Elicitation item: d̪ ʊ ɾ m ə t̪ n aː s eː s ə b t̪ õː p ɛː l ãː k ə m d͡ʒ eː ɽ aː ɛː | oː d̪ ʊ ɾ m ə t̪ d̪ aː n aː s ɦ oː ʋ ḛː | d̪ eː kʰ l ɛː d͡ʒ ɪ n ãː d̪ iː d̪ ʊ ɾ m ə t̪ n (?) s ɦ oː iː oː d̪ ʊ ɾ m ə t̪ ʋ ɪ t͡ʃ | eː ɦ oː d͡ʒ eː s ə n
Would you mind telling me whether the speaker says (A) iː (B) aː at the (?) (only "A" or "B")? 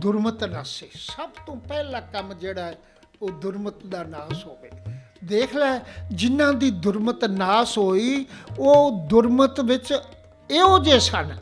B